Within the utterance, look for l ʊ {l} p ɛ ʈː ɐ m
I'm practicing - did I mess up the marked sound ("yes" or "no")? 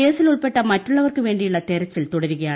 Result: yes